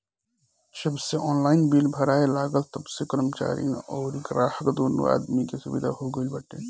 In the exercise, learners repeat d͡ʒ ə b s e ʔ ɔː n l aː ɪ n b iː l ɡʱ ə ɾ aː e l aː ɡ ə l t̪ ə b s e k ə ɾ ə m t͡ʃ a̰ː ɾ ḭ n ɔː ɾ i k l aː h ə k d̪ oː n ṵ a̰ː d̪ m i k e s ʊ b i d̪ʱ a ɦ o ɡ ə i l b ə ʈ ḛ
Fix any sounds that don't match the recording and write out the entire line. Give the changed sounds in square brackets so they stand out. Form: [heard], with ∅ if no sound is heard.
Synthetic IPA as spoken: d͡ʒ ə b s e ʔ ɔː n l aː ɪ n b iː l [bʱ] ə ɾ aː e l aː ɡ ə l t̪ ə b s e k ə ɾ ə m t͡ʃ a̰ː ɾ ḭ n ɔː ɾ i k [ɾ] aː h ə k d̪ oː n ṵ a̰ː d̪ m i k e s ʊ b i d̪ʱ a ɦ o ɡ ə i l b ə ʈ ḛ